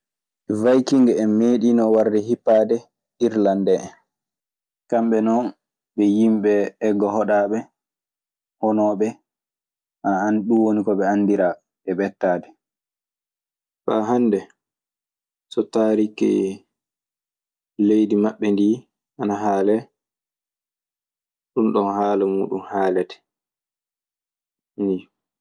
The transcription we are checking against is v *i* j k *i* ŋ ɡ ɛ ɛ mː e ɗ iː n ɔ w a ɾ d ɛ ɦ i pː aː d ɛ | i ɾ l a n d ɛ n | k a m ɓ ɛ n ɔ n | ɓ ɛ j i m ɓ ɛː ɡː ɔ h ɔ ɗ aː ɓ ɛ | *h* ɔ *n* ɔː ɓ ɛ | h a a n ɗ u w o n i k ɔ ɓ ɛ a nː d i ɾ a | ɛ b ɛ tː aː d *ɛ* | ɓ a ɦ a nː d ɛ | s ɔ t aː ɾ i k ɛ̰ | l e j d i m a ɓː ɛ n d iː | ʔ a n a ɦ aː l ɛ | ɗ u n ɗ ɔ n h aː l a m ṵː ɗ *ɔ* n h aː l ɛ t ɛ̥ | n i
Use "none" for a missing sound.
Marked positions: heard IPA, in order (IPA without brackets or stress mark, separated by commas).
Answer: a, i, h, n, ɛ, u